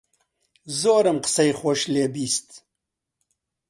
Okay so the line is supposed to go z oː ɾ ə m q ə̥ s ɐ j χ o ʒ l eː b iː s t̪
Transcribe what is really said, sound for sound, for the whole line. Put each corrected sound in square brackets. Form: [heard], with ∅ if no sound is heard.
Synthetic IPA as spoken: z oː ɾ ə m q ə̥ s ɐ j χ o [ʃ] l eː b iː s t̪

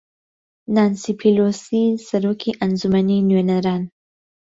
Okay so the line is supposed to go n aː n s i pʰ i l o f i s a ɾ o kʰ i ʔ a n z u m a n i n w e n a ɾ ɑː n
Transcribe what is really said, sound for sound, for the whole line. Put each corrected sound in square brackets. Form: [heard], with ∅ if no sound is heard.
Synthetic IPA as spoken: n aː n s i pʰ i l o [s] i s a ɾ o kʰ i ʔ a n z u m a n i n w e n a ɾ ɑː n

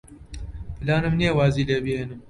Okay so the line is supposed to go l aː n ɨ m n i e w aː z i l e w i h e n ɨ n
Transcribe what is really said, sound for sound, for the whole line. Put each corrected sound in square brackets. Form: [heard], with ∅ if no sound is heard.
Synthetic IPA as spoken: l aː n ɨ m n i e w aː z i l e [b] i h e n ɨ [m]

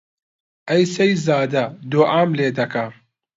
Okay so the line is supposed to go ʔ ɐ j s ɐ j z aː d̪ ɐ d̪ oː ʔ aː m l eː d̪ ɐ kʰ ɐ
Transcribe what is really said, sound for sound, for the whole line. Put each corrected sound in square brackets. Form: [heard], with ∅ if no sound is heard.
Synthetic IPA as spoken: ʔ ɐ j s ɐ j z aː d̪ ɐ d̪ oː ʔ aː m l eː d̪ ɐ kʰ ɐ

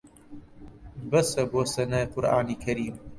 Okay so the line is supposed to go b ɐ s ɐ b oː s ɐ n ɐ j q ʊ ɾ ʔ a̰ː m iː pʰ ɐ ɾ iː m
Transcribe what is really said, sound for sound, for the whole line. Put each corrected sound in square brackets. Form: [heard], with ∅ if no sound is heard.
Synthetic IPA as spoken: b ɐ s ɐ b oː s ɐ n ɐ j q ʊ ɾ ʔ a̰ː [n] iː [kʰ] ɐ ɾ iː m

